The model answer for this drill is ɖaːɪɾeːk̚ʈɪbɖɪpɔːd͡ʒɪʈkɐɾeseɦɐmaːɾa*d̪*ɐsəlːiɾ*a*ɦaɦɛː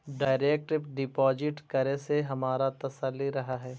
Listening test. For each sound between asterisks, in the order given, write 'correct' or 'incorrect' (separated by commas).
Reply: incorrect, incorrect